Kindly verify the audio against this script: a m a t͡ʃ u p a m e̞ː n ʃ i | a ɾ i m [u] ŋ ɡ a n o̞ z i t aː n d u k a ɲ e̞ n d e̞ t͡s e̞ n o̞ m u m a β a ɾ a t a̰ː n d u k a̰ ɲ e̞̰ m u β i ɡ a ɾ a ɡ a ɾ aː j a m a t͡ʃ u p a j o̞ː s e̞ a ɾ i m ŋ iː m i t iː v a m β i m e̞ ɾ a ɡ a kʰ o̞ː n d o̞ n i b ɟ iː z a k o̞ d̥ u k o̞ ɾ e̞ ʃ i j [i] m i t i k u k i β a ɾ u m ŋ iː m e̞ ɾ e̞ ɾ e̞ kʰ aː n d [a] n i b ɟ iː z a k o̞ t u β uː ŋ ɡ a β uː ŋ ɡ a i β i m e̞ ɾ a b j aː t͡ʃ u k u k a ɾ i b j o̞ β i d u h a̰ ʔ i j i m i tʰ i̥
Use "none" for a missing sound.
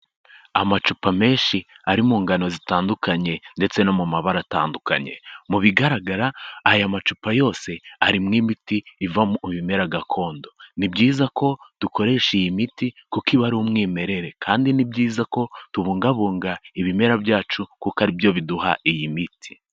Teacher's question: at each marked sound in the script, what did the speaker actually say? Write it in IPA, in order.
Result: uː, i, i

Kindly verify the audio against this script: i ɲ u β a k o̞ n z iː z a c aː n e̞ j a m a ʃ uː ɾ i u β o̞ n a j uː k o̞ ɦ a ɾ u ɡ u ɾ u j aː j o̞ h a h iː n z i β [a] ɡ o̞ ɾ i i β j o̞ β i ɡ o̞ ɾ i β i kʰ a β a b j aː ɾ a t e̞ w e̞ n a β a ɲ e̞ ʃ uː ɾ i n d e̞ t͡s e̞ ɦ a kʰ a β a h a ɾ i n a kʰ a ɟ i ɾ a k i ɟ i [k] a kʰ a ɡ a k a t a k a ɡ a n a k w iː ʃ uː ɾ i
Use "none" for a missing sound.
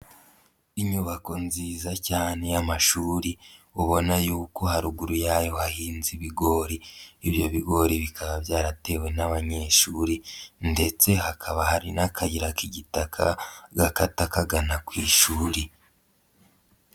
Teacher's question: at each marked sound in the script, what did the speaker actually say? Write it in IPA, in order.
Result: i, t

